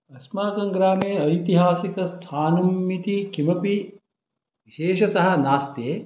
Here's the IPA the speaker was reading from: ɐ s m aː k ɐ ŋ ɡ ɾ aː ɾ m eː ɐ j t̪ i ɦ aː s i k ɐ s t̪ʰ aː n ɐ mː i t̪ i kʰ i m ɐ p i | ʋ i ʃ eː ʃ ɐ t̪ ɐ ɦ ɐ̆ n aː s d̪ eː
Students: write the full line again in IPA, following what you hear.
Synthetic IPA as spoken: ɐ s m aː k ɐ ŋ ɡ ɾ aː m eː ɐ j t̪ i ɦ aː s i k ɐ s t̪ʰ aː n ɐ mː i t̪ i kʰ i m ɐ p i | ʋ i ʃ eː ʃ ɐ t̪ ɐ ɦ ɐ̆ n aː s t̪ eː